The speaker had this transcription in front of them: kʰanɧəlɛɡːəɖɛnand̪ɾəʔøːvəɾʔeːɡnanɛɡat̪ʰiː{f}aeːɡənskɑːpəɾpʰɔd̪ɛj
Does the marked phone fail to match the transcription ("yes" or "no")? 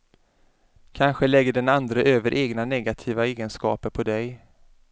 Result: yes